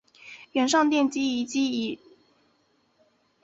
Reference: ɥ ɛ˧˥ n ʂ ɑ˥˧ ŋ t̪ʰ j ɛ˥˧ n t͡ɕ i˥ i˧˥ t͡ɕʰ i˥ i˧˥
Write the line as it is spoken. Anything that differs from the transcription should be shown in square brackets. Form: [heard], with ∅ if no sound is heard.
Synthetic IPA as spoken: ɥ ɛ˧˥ n ʂ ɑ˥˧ ŋ [t̪] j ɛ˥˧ n t͡ɕ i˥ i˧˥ [t͡ɕ] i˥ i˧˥